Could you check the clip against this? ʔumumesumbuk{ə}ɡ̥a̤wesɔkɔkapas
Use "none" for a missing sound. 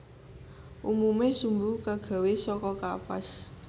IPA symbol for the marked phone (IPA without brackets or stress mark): a